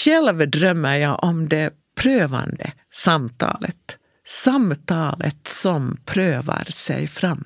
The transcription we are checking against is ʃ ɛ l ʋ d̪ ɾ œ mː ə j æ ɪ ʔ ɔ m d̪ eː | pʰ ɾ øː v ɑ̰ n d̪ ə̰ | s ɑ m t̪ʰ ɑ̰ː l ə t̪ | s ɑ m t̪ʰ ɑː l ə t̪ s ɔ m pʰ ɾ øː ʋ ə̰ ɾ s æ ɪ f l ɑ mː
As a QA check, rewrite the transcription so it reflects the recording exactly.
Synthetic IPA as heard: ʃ ɛ l ʋ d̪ ɾ œ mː ə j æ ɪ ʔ ɔ m d̪ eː | pʰ ɾ øː ʋ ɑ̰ n d̪ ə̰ | s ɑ m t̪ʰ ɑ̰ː l ə t̪ | s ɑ m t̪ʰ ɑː l ə t̪ s ɔ m pʰ ɾ øː ʋ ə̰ ɾ s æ ɪ f ɾ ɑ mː